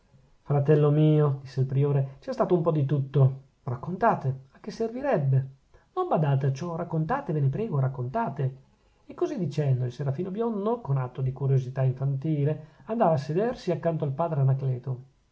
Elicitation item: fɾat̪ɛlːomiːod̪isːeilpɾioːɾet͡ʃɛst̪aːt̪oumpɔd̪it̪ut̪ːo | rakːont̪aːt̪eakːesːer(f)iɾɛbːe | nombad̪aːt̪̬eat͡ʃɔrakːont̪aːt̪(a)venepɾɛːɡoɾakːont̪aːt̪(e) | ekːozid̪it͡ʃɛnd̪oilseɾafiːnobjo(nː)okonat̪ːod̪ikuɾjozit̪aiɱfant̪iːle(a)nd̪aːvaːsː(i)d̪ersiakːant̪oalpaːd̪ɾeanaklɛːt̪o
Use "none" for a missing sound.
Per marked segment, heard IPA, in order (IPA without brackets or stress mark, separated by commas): v, e, e, nː, a, e